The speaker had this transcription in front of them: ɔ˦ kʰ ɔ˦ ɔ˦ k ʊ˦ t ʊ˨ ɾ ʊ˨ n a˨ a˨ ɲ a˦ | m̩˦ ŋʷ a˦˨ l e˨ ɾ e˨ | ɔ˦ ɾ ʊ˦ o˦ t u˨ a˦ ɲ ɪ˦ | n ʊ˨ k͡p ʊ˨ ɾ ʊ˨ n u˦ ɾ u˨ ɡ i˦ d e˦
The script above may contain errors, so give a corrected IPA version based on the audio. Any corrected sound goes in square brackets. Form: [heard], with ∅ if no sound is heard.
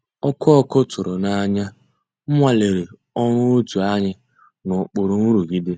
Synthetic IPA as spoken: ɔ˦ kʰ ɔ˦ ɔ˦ k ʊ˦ t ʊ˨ ɾ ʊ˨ n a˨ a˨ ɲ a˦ | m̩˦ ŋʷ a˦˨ l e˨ ɾ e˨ | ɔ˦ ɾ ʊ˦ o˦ t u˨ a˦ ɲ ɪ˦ | n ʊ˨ k͡p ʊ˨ ɾ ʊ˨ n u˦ ɾ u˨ ɡ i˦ d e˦